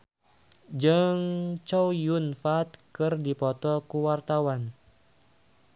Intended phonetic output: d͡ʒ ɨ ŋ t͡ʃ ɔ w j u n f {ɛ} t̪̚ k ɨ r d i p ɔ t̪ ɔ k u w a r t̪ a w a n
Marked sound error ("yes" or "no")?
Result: yes